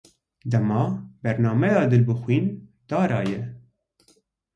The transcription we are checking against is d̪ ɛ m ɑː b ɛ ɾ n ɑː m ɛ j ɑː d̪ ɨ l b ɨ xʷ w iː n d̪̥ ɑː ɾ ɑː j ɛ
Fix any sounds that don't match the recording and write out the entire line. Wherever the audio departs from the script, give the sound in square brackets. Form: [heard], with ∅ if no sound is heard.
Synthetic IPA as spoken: d̪ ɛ m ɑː b ɛ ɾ n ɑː m ɛ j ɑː d̪ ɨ l b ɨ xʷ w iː n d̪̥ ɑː ɾ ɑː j ɛ